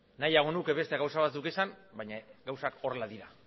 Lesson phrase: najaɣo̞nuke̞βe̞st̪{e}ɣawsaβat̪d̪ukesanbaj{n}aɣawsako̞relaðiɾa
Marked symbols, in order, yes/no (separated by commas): yes, no